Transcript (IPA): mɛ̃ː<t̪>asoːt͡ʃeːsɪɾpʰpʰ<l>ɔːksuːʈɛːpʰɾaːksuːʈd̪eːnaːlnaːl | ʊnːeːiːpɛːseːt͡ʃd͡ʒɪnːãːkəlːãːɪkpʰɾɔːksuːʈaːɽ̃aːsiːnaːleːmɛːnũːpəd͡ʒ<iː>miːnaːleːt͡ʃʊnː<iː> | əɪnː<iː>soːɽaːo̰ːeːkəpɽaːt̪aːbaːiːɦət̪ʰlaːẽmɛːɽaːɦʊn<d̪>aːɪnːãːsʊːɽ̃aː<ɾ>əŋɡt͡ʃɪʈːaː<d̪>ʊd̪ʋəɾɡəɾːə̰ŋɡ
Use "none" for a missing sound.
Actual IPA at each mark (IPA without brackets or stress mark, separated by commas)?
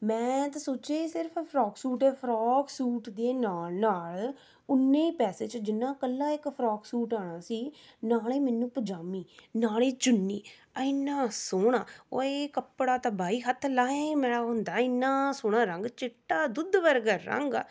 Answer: t̪, ɾ, aː, iː, aː, d̪, ɾ, d̪